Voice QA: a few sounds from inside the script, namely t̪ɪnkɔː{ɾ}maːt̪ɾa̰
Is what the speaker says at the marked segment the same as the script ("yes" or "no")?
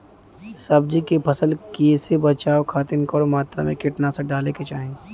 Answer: yes